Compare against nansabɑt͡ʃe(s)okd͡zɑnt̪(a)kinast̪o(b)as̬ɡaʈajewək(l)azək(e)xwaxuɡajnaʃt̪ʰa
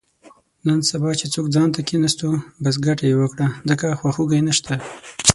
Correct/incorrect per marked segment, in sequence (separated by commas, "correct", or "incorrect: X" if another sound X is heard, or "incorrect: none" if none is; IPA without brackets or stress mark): incorrect: t͡s, correct, correct, incorrect: ɽ, incorrect: a